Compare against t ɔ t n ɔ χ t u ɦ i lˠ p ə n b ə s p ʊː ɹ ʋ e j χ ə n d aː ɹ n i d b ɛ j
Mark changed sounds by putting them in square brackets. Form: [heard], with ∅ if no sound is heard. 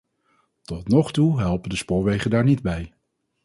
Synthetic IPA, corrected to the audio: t ɔ t n ɔ χ t u ɦ [ɛ] lˠ p ə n [d] ə s p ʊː ɹ ʋ e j χ ə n d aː ɹ n i d b ɛ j